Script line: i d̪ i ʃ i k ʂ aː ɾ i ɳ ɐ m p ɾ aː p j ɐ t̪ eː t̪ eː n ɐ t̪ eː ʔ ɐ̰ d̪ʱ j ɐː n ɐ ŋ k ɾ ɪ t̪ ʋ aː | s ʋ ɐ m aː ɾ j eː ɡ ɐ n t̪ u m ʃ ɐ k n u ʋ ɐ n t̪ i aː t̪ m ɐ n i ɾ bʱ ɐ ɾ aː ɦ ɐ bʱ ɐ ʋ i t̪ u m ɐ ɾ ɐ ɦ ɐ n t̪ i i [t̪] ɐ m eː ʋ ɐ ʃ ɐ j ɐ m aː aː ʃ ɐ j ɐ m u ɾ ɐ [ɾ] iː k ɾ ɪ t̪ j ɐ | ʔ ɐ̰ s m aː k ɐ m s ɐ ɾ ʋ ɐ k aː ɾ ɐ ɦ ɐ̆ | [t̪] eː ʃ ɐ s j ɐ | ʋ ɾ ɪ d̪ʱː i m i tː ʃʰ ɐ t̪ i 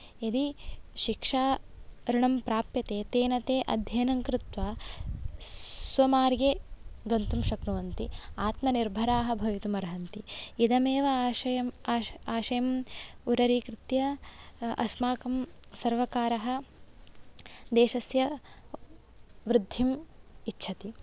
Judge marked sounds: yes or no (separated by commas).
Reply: no, yes, no